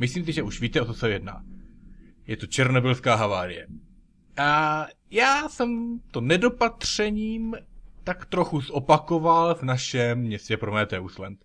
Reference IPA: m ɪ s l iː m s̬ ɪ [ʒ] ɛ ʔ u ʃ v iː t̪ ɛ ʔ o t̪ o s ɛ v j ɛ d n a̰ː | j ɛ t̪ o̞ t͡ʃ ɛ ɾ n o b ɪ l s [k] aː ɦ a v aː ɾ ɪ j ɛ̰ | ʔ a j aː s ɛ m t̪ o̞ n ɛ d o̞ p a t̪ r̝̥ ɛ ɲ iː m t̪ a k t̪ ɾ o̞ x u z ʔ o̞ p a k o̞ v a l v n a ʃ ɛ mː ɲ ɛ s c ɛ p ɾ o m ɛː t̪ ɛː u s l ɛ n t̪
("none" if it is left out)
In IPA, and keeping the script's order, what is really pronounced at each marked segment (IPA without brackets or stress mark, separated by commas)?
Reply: ʒ, k